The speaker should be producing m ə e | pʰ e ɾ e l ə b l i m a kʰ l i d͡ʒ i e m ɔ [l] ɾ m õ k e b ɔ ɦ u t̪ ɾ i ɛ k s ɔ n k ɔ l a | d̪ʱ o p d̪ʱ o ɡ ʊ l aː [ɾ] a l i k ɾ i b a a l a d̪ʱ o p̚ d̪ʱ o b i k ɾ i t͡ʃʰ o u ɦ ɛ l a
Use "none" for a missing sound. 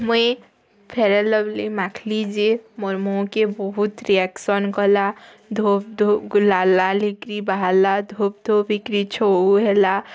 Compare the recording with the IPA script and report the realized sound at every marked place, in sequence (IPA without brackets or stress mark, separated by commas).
none, l